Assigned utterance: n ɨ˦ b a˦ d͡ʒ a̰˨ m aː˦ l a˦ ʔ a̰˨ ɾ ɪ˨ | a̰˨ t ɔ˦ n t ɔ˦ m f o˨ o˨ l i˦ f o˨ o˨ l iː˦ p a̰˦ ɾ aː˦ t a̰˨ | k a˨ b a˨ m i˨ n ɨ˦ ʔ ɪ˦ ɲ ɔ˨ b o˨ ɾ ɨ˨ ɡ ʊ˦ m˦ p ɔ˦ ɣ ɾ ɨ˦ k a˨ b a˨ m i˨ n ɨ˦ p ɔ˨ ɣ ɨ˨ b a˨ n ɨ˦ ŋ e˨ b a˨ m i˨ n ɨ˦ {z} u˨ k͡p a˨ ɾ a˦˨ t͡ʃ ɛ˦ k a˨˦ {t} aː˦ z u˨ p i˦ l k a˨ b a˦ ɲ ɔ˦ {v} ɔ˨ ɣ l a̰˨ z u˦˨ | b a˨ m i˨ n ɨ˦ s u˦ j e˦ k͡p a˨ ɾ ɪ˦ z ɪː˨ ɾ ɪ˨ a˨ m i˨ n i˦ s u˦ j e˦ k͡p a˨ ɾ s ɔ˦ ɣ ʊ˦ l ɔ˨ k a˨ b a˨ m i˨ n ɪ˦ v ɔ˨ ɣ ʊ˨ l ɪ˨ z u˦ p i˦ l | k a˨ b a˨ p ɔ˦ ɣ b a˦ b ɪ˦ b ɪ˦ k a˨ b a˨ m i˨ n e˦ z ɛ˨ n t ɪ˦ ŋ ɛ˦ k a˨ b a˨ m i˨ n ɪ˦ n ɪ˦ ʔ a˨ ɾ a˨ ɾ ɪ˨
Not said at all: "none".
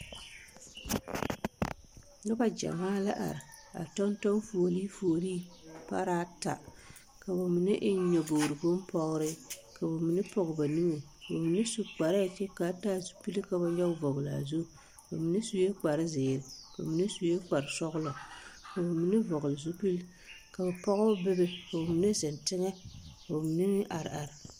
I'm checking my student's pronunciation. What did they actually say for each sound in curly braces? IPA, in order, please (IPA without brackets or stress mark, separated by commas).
s, t, v